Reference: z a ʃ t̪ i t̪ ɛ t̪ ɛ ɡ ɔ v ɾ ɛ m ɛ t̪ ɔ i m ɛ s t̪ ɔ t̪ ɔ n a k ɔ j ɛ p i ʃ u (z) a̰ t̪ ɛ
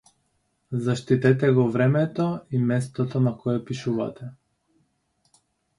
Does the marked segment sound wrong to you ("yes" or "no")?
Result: yes